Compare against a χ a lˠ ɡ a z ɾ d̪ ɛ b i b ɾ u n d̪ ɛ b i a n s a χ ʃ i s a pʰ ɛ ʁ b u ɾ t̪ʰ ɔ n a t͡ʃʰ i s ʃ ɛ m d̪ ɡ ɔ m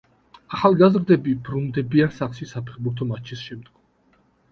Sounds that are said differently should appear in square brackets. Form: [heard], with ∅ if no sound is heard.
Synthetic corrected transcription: a χ a lˠ ɡ a z ɾ d̪ ɛ b i b ɾ u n d̪ ɛ b i a n s a χ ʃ i s a pʰ ɛ [χ] b u ɾ t̪ʰ ɔ [m] a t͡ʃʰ i s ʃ ɛ m d̪ ɡ ɔ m